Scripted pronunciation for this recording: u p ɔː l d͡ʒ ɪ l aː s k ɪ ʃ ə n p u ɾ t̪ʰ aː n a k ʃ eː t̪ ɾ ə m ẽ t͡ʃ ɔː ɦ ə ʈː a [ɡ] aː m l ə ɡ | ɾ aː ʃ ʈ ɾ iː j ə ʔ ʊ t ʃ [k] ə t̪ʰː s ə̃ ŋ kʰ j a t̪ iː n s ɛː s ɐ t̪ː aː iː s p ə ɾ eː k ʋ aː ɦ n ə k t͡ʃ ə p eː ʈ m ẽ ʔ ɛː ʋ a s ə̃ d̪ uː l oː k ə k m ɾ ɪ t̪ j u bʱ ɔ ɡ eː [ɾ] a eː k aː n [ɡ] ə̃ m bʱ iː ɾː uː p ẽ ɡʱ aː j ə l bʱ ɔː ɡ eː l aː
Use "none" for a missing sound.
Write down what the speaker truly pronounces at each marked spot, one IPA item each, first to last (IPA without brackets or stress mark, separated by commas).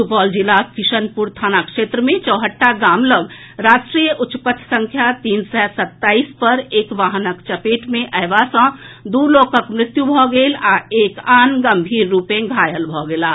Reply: ɡ, p, l, ɡ